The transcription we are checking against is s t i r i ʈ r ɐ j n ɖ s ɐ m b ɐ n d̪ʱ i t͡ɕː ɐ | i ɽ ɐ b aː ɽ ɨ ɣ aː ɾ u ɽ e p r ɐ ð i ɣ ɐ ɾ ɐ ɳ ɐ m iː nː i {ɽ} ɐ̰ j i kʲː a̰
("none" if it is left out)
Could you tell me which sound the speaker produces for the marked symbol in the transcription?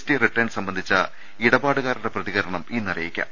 r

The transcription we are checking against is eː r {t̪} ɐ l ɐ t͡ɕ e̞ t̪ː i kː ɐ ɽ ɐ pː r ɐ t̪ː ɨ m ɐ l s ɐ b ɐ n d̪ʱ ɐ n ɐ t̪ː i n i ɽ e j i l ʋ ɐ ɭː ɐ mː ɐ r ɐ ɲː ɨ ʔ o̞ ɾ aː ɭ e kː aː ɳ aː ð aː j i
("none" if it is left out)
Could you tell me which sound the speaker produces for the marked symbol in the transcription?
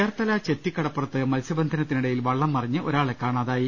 t̪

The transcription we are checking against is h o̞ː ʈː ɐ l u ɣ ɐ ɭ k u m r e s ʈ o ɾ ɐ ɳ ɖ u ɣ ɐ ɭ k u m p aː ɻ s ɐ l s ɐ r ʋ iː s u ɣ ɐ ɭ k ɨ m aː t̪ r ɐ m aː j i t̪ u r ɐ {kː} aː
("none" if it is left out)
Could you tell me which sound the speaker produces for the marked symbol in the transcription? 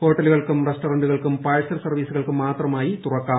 kː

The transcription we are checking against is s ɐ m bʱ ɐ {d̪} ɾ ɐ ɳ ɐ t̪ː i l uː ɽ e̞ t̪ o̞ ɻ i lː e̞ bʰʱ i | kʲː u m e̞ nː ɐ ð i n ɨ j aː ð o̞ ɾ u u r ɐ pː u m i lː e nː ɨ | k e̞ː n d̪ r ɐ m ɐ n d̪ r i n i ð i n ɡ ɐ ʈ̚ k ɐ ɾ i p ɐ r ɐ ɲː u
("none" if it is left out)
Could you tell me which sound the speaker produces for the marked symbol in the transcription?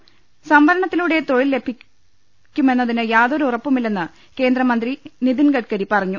none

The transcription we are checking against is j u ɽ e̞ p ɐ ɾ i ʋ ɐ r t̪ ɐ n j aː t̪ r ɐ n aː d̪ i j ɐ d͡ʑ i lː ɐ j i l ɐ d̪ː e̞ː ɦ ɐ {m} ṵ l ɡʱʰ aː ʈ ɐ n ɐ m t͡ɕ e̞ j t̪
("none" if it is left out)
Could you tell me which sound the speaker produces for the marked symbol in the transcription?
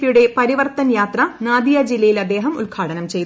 m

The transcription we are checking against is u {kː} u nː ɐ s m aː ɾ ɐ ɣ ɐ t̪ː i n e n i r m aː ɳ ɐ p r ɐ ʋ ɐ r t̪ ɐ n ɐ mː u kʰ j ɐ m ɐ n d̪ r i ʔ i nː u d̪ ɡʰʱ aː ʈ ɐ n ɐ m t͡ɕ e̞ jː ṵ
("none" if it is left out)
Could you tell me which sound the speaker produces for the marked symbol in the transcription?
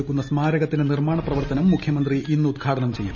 kː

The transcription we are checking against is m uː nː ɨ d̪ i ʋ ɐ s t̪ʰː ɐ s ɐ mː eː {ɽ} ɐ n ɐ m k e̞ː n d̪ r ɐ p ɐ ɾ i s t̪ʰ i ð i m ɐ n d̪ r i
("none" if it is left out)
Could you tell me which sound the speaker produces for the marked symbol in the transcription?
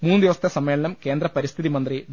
ɭ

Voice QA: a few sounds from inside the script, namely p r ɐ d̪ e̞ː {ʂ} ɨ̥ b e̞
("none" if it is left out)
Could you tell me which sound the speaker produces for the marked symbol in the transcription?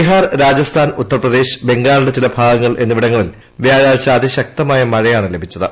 ɕ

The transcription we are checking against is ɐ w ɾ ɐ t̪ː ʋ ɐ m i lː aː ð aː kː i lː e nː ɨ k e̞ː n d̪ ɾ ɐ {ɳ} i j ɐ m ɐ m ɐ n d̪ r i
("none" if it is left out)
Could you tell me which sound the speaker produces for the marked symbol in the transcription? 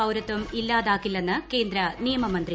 n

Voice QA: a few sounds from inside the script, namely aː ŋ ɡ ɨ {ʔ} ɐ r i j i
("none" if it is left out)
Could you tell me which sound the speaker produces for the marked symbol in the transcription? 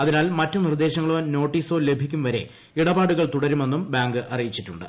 ʔ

